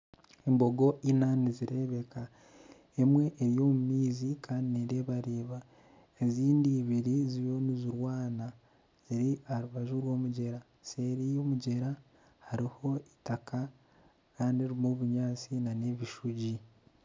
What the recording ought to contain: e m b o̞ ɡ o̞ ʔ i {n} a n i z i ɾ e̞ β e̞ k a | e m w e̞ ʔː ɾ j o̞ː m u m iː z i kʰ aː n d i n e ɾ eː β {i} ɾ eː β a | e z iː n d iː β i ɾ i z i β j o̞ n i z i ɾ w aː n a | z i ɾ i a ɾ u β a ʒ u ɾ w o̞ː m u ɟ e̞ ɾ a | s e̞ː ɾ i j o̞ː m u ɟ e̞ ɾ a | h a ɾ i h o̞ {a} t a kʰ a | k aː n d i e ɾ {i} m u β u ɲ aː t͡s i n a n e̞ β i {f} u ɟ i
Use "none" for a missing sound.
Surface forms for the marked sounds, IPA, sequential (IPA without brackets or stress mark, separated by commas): n, a, i, i, ʃ